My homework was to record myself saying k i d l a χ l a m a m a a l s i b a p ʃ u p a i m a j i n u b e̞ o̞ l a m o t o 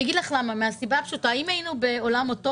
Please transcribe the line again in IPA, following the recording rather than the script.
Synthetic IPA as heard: ɡ i d l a χ l a m a m e a s i b a p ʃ u t a i m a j i n u b e̞ o̞ l a m o t o